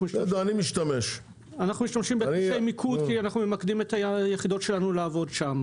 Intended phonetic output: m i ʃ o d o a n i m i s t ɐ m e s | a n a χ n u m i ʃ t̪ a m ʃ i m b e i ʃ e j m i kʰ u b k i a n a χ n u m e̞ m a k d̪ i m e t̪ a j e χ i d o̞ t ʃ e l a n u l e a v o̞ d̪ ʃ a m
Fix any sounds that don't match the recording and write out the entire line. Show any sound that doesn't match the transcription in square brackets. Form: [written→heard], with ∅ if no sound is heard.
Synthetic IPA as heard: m i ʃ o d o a n i m i [s→ʃ] t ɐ m e [s→ʃ] | a n a χ n u m i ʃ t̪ a m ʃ i m b e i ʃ e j m i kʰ u [b→d] k i a n a χ n u m e̞ m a k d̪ i m e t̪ a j e χ i d o̞ t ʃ e l a n u l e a v o̞ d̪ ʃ a m